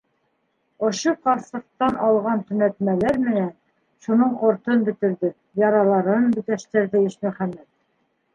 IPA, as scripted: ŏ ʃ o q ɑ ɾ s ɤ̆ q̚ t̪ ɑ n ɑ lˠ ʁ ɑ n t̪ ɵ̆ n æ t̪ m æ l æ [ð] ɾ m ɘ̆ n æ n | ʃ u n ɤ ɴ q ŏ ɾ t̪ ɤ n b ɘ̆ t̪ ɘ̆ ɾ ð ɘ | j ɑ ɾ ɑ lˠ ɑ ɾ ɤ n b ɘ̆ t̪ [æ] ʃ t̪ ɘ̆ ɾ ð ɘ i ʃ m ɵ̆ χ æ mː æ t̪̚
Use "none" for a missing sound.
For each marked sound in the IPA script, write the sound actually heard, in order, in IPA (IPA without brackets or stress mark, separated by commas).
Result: none, æ